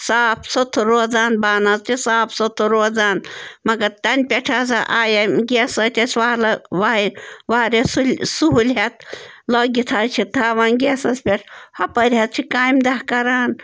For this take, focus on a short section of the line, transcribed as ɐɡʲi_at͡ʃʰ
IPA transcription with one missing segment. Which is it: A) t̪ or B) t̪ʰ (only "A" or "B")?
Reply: B